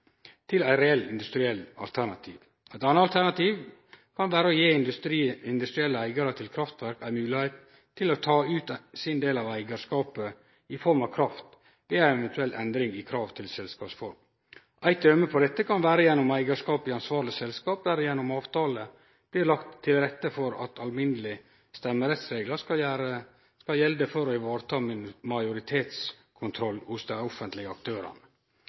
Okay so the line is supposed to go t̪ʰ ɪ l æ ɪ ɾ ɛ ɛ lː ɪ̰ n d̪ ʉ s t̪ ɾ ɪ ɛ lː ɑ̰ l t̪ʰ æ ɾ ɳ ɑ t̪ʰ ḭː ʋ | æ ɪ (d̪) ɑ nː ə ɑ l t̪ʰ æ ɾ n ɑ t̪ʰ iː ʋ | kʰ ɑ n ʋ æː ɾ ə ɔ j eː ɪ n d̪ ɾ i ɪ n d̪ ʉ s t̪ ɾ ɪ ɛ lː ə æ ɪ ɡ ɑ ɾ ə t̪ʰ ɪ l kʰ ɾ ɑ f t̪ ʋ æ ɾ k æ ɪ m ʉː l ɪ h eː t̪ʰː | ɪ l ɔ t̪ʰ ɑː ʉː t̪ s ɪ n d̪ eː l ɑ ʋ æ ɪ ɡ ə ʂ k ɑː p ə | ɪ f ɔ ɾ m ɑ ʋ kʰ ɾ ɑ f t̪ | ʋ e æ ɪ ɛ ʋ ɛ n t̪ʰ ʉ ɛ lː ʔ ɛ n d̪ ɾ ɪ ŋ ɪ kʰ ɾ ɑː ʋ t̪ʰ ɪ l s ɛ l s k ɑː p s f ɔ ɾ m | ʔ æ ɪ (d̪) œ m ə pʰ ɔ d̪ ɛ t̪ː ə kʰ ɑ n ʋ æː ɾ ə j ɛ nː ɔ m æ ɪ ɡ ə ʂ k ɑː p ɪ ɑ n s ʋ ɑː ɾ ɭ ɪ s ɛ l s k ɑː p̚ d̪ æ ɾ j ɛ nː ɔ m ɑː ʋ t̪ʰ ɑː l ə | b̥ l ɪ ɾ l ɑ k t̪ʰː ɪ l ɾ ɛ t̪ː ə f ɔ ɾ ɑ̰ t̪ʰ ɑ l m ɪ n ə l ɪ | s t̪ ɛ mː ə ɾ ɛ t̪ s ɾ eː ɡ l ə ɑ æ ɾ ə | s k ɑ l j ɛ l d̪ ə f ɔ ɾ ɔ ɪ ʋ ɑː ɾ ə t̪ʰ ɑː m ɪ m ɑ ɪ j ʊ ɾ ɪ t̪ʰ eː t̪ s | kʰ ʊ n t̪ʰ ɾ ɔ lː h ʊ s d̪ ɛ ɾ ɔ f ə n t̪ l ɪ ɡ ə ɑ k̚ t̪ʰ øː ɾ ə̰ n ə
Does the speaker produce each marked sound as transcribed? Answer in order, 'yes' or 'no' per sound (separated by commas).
no, no